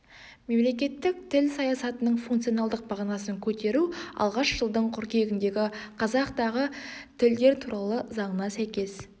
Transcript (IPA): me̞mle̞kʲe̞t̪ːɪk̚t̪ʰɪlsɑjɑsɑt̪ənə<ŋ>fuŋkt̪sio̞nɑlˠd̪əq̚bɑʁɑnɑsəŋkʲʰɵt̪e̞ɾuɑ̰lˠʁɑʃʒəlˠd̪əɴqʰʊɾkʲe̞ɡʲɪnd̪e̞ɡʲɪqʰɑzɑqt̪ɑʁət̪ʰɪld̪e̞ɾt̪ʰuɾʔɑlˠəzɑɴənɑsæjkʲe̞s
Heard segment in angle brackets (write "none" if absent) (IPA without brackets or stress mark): ɴ